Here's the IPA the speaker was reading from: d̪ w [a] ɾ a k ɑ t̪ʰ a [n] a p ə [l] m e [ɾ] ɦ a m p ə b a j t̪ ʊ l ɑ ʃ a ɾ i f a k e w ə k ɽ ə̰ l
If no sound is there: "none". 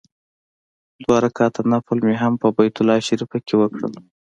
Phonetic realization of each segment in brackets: ɑ, n, l, none

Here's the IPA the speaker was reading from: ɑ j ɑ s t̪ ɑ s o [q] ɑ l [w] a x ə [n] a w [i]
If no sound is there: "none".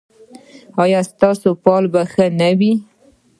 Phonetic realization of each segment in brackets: p, b, n, i

